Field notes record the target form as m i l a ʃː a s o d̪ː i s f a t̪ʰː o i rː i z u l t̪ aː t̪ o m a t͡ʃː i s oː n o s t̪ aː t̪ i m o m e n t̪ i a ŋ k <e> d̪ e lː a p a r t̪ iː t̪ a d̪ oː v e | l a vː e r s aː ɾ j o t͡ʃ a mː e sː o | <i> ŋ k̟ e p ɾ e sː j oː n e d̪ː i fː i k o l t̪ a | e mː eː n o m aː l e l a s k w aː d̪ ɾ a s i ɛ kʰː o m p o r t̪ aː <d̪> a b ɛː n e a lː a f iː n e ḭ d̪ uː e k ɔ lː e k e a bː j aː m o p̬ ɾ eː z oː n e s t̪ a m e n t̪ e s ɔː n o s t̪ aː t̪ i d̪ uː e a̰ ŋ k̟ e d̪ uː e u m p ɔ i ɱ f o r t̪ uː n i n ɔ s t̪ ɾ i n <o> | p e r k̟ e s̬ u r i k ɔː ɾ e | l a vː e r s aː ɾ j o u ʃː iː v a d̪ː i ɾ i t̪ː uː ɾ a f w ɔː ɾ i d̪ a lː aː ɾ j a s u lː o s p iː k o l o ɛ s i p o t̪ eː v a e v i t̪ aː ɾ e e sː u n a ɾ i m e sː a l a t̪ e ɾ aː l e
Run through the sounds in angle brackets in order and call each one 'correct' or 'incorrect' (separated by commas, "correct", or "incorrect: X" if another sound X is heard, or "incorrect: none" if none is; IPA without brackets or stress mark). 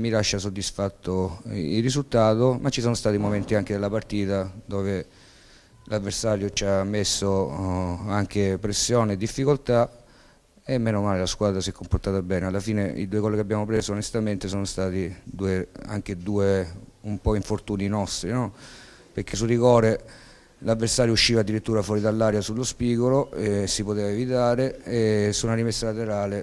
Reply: correct, incorrect: a, incorrect: t̪, incorrect: ɔ